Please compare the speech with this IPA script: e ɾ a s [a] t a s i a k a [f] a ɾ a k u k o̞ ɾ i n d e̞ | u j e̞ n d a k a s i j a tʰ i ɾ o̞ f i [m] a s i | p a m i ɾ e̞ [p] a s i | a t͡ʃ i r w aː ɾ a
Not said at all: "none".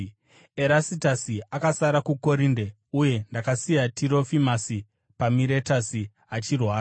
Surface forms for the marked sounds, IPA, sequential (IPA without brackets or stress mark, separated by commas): i, s, m, t